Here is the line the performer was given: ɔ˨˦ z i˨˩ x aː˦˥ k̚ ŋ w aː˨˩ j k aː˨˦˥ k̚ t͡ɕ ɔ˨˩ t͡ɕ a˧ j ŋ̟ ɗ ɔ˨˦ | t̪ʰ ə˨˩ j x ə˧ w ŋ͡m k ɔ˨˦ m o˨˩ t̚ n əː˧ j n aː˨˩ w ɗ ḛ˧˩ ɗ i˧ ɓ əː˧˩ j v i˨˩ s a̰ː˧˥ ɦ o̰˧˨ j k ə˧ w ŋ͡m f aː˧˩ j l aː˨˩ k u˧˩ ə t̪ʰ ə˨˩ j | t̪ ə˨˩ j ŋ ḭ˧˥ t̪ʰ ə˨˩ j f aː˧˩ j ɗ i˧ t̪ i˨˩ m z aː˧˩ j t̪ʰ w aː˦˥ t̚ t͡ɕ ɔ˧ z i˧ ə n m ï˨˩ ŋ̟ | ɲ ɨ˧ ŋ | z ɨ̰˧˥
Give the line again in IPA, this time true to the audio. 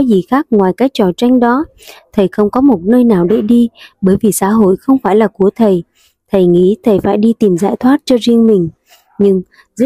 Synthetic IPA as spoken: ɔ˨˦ z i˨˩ x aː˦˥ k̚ ŋ w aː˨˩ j k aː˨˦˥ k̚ t͡ɕ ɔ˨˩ t͡ɕ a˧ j ŋ̟ ɗ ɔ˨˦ | t̪ʰ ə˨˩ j x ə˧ w ŋ͡m k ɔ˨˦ m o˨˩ t̚ n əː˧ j n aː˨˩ w ɗ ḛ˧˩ ɗ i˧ ɓ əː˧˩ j v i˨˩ s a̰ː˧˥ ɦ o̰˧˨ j x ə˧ w ŋ͡m f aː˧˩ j l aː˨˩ k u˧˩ ə t̪ʰ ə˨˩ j | t̪ʰ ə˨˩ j ŋ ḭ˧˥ t̪ʰ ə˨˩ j f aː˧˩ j ɗ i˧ t̪ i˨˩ m z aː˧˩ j t̪ʰ w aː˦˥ t̚ t͡ɕ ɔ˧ z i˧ ə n m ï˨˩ ŋ̟ | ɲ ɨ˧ ŋ | z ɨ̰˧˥